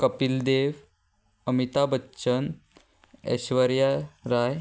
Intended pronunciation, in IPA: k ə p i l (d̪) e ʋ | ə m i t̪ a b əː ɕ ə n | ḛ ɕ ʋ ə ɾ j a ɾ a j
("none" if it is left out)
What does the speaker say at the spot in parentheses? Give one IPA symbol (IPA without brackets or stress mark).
d̪